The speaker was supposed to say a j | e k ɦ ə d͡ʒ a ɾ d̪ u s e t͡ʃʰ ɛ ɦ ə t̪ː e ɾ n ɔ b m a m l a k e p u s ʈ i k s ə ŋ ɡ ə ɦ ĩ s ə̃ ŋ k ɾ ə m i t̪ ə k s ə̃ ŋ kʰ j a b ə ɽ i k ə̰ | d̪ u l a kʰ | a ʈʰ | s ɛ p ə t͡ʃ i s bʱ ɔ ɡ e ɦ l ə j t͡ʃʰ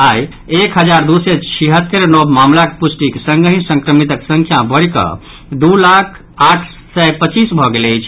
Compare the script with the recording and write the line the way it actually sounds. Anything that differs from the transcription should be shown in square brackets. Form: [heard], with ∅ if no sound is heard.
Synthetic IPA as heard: a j | e k ɦ ə d͡ʒ a ɾ d̪ u s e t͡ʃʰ [i] ɦ ə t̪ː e ɾ n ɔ b m a m l a k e p u s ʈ i k s ə ŋ ɡ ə ɦ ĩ s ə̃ ŋ k ɾ ə m i t̪ ə k s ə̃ ŋ kʰ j a b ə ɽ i k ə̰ | d̪ u l a kʰ | a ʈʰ | s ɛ p ə t͡ʃ i s bʱ ɔ ɡ e [∅] l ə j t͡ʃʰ